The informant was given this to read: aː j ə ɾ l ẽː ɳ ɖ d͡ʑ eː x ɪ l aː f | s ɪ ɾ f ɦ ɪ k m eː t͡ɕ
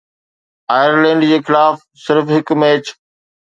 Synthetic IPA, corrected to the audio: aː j ə ɾ l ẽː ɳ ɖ d͡ʑ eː x ɪ l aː f | s ɪ ɾ f ɦ ɪ k m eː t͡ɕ